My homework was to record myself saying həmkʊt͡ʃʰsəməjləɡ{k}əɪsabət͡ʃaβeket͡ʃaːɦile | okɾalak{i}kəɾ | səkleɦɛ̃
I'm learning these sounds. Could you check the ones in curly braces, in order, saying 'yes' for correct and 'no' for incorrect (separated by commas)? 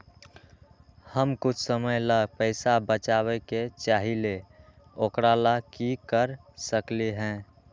no, yes